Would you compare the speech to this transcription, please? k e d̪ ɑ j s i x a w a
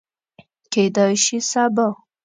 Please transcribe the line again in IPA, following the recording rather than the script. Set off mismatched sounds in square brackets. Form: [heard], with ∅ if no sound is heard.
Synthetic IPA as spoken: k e d̪ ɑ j [ʃ] i [s] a [b] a